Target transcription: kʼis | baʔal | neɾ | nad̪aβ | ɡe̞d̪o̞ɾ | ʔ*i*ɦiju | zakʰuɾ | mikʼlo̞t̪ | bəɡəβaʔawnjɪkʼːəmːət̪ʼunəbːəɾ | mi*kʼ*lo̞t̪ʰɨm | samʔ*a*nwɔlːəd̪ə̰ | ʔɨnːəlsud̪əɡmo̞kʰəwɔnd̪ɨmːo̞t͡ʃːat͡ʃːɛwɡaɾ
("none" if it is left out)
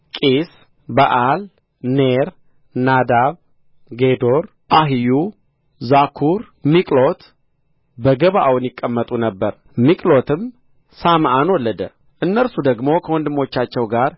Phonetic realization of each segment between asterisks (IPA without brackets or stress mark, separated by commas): a, kʼ, a